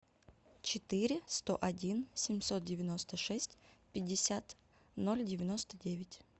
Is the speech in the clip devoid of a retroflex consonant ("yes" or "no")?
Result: no